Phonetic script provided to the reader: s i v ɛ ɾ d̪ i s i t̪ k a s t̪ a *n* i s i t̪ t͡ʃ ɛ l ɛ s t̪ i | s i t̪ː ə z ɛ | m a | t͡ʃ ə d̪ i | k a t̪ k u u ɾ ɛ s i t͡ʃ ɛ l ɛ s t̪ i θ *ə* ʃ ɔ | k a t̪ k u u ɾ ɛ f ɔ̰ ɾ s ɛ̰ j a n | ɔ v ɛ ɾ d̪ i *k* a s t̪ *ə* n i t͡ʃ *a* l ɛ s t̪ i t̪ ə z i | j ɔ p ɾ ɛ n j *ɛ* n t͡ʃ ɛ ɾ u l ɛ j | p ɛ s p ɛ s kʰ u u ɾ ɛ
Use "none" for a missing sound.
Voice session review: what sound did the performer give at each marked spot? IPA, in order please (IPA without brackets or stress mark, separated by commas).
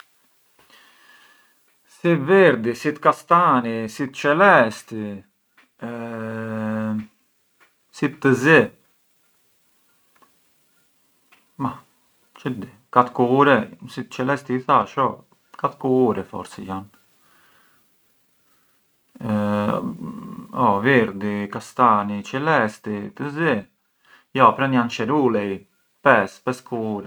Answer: n, a, k, a, ɛ, a